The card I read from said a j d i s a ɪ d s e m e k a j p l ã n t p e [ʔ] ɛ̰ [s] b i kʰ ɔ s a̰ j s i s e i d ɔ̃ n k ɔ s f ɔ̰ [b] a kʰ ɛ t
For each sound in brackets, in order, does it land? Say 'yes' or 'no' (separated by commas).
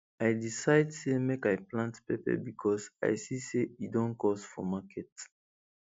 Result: no, no, no